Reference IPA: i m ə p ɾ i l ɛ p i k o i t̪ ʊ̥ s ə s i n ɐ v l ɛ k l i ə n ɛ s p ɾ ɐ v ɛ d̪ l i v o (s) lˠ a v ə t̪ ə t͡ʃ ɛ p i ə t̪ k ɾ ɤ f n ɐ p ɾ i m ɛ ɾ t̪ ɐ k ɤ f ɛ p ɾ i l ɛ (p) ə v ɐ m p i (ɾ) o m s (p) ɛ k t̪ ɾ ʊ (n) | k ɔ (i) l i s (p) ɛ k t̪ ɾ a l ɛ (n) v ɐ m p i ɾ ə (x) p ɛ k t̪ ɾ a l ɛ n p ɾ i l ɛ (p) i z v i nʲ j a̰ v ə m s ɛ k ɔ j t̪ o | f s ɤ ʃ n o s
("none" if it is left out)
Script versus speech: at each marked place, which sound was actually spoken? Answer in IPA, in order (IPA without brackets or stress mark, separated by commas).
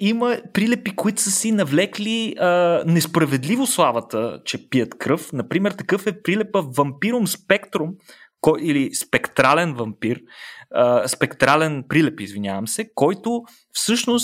s, p, ɾ, p, m, i, p, n, s, p